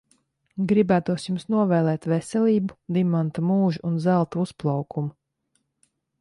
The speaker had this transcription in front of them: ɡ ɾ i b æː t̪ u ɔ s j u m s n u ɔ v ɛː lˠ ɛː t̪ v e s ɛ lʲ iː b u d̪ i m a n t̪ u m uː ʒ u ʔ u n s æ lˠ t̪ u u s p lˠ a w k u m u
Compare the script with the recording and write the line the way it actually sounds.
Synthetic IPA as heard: ɡ ɾ i b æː t̪ u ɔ s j u m s n u ɔ v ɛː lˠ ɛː t̪ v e s ɛ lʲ iː b u d̪ i m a n t̪ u m uː ʒ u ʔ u n z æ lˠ t̪ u u s p lˠ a w k u m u